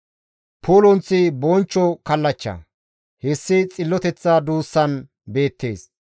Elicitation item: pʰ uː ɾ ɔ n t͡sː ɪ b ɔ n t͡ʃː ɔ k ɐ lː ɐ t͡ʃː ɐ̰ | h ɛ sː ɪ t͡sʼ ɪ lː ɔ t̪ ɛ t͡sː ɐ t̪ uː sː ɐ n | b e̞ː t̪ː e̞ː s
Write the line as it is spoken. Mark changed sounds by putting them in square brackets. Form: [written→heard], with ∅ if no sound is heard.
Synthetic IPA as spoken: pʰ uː [ɾ→l] ɔ n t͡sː ɪ b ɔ n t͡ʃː ɔ k ɐ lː ɐ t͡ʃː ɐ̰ | h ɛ sː ɪ t͡sʼ ɪ lː ɔ t̪ ɛ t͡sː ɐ [t̪→d̪] uː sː ɐ n | b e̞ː t̪ː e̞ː s